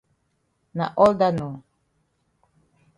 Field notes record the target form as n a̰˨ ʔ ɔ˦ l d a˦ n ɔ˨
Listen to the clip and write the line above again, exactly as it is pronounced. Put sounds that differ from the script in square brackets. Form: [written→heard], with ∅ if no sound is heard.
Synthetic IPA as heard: n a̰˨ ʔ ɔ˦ l d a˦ n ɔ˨